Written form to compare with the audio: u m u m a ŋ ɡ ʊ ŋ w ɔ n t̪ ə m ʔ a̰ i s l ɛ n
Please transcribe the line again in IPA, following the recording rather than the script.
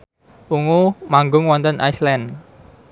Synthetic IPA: u ŋ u m a ŋ ɡ ʊ ŋ w ɔ n t̪ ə n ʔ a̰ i s l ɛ n